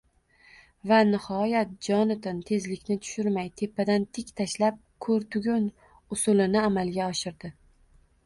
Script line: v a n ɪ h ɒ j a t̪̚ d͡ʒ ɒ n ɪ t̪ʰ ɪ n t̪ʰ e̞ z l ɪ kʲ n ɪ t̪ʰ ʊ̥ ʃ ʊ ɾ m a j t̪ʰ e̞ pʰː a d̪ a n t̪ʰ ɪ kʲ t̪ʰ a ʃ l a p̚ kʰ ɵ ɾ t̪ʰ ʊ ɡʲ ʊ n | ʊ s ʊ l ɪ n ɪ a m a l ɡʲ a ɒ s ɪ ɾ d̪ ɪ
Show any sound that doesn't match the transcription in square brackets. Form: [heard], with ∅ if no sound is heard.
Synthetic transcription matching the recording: v a n ɪ h ɒ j a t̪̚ d͡ʒ ɒ n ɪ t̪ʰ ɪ n t̪ʰ e̞ z l ɪ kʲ n ɪ t̪ʰ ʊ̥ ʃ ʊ ɾ m a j t̪ʰ e̞ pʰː a d̪ a n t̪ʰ ɪ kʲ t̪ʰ a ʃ l a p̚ kʰ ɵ ɾ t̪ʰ ʊ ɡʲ ʊ n | ʊ s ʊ l ɪ n ɪ a m a l ɡʲ a ɒ [ʃ] ɪ ɾ d̪ ɪ